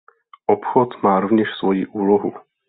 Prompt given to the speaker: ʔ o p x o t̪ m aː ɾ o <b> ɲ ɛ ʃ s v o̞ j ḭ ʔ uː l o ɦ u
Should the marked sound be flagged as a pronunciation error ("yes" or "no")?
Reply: yes